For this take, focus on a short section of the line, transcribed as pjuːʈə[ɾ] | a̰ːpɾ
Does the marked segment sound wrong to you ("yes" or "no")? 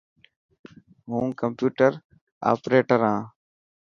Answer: no